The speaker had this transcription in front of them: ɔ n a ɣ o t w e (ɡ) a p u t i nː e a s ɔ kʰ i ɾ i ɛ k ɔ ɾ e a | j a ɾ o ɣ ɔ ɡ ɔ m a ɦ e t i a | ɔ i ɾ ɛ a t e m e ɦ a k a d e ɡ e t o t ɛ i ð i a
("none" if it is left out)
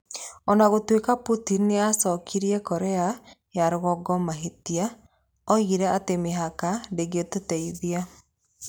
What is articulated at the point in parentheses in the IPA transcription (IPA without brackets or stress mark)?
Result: k